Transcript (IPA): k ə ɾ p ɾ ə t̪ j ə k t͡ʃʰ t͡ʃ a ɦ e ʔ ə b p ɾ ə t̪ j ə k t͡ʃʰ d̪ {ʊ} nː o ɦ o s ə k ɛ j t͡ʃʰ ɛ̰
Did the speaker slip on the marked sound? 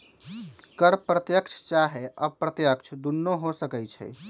yes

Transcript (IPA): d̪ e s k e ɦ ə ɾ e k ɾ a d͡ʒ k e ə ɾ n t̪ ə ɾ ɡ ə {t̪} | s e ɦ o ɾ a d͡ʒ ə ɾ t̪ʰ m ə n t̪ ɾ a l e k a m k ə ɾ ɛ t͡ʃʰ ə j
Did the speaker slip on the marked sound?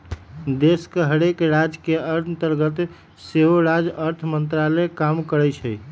no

